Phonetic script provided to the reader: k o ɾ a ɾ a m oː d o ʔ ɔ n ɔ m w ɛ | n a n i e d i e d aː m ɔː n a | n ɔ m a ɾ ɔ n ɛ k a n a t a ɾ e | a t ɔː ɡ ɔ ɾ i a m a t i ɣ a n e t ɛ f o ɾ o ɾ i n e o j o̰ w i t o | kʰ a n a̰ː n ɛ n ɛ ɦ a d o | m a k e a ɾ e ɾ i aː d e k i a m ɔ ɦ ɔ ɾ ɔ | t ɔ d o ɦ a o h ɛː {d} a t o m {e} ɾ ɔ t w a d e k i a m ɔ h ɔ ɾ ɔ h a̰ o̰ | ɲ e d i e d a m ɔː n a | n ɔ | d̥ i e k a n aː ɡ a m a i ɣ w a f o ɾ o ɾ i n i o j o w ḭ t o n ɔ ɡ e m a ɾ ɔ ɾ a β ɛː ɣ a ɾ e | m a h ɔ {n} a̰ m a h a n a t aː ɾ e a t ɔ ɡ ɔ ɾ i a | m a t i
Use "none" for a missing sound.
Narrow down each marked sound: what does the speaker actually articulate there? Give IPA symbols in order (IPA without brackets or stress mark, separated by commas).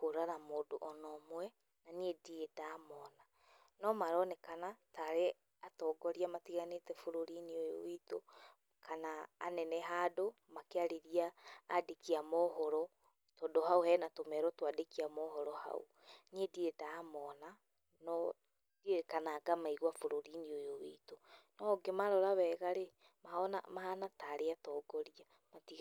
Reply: n, ɛ, n